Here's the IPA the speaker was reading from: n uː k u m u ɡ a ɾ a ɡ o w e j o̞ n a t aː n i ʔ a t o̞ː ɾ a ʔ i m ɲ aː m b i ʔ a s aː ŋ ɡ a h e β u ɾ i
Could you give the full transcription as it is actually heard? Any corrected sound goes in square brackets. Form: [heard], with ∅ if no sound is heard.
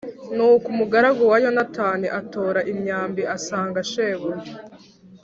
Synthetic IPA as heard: n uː k u m u ɡ a ɾ a ɡ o w [a] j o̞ n a t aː n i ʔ a t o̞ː ɾ a ʔ i m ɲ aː m b i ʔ a s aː ŋ ɡ a [ʃ] e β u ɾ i